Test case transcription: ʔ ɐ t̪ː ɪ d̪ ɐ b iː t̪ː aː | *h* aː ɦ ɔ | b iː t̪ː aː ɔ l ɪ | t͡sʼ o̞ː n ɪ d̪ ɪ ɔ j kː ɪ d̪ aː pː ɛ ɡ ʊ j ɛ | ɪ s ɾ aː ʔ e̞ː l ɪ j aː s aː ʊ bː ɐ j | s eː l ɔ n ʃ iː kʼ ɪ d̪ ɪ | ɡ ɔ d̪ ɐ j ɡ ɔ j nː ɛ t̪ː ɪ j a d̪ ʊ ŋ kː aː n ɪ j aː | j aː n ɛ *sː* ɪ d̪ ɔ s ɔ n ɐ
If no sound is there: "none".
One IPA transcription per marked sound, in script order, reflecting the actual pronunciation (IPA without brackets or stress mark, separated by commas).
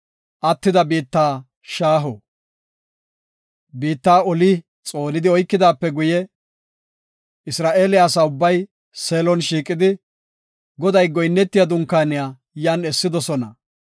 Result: ʃ, sː